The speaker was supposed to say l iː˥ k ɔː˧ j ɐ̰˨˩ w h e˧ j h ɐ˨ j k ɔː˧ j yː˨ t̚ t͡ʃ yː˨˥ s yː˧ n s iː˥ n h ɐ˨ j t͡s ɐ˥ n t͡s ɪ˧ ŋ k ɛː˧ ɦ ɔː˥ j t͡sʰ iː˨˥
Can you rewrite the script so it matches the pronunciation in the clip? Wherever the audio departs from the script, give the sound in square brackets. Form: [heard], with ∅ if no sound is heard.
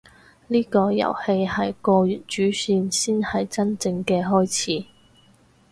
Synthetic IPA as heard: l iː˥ k ɔː˧ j ɐ̰˨˩ w h e˧ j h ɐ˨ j k ɔː˧ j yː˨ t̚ t͡ʃ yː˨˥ s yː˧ n s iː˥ n h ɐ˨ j t͡s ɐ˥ n t͡s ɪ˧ ŋ k ɛː˧ ɦ ɔː˥ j t͡sʰ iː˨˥